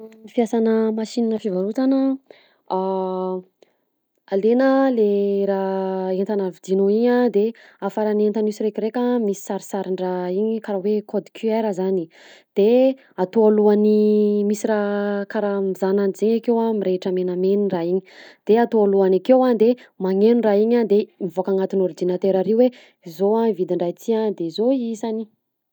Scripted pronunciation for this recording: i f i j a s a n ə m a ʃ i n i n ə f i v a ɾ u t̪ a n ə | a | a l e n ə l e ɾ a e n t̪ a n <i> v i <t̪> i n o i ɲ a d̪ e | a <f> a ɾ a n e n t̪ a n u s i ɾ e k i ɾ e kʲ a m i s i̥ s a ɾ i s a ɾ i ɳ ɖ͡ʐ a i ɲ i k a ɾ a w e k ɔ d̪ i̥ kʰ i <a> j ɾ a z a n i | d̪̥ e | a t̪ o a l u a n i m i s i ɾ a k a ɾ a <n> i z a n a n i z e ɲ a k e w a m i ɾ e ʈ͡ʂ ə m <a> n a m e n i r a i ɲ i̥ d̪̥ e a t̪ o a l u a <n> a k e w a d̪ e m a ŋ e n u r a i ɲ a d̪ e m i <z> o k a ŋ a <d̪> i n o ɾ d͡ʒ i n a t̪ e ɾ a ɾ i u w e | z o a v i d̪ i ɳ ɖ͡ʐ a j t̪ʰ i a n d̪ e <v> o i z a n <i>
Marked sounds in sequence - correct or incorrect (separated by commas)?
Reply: incorrect, incorrect, correct, correct, incorrect, incorrect, correct, incorrect, incorrect, incorrect, correct